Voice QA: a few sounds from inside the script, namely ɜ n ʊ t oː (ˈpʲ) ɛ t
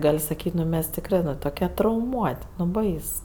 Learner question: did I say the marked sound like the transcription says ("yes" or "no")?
no